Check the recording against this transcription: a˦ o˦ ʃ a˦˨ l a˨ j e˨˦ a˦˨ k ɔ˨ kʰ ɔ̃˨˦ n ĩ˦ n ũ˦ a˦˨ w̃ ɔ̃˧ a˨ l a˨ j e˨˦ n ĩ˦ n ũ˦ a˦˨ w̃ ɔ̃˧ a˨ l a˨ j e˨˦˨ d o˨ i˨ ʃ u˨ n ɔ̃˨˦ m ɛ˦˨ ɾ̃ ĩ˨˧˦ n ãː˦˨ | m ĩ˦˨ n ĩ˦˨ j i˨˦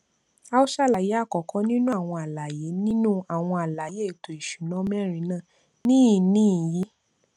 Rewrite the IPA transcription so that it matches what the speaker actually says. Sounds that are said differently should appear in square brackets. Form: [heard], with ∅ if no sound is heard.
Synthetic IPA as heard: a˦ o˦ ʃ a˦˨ l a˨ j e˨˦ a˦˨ k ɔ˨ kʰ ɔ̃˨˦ n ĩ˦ n ũ˦ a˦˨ w̃ ɔ̃˧ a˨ l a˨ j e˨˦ n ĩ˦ n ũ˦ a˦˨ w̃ ɔ̃˧ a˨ l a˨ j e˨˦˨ [t] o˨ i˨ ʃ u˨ n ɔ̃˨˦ m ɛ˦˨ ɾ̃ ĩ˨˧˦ n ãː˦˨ | [n] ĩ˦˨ n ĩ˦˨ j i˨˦